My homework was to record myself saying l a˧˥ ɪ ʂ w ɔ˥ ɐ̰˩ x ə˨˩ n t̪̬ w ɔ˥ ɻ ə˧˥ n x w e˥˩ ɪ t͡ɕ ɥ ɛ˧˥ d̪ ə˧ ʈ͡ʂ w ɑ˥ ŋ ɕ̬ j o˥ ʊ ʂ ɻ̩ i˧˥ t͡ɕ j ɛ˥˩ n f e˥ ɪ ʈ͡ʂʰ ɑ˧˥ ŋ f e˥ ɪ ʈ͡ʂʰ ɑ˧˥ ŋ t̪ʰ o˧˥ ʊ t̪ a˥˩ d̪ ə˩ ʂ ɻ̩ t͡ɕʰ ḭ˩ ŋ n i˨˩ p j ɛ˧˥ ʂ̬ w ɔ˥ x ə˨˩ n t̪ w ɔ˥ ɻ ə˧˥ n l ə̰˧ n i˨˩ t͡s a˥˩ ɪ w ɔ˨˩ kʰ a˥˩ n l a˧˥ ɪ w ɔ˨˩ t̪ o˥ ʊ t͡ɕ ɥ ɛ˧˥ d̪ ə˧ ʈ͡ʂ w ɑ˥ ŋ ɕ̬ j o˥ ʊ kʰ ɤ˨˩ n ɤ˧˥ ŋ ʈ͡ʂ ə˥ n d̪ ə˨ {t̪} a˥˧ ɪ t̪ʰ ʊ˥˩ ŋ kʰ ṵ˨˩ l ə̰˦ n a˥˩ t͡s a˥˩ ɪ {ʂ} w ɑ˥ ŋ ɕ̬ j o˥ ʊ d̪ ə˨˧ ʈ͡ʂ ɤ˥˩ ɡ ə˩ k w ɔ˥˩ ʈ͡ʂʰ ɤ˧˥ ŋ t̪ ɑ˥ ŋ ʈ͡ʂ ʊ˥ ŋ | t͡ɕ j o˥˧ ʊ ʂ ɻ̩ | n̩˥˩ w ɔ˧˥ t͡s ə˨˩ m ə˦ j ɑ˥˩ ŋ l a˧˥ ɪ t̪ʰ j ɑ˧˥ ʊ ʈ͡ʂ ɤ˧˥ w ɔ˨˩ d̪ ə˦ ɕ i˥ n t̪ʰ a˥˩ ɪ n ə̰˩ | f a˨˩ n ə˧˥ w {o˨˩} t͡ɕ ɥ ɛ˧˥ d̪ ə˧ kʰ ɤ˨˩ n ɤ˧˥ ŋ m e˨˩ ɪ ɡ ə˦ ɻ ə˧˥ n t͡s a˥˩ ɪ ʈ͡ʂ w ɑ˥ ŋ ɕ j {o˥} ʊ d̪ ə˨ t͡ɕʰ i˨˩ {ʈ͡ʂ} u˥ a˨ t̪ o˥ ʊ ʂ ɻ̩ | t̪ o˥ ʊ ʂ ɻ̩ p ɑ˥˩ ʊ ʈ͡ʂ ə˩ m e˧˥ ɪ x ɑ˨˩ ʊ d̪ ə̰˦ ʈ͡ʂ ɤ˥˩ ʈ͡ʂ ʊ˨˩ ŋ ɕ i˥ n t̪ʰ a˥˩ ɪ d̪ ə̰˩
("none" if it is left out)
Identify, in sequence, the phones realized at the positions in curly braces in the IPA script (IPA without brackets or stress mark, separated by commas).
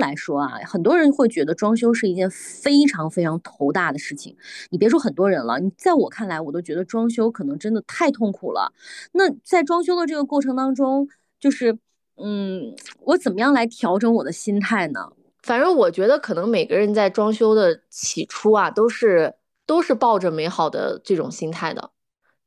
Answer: t̪ʰ, ʈ͡ʂ, ɔ˨˩, o˥, ʈ͡ʂʰ